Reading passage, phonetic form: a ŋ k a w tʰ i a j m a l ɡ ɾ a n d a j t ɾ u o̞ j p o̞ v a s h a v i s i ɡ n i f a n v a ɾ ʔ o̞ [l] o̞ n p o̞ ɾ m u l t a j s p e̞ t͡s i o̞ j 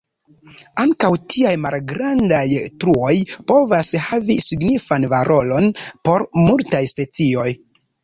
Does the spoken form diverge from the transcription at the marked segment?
no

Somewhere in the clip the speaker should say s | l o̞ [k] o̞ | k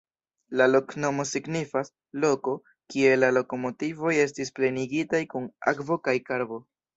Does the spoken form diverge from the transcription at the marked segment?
no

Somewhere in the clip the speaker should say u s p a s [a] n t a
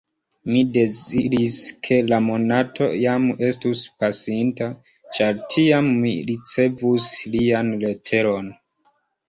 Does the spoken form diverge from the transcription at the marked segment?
yes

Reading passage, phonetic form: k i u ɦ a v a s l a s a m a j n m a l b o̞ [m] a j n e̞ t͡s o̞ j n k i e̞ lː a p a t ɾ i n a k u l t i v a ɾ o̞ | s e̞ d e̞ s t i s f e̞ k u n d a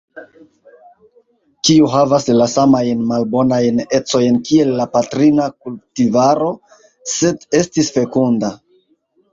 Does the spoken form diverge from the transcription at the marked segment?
yes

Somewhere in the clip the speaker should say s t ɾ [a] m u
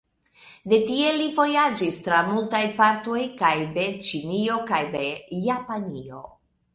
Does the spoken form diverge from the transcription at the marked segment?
no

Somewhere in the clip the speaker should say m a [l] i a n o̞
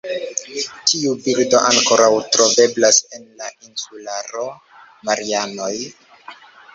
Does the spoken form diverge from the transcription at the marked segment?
yes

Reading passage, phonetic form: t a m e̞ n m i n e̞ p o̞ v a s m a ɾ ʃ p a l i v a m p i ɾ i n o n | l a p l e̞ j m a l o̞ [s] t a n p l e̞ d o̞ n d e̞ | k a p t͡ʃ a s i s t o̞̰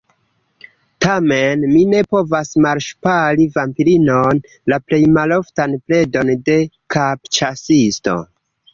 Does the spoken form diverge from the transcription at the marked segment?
yes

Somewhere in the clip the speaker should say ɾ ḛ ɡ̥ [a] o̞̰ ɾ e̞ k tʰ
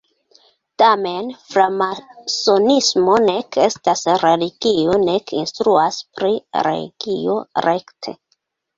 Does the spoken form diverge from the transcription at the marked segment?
yes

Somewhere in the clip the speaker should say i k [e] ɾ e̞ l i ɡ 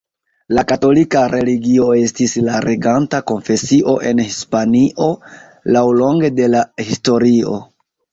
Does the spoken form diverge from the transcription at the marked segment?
yes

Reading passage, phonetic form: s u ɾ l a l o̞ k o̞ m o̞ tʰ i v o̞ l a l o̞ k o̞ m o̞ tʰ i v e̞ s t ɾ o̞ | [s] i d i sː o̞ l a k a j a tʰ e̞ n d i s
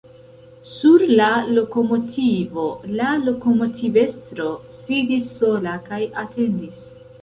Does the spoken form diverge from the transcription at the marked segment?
no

